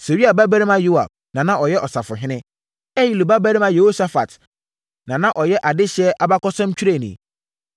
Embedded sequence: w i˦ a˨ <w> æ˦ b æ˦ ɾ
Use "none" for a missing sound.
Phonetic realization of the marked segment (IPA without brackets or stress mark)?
b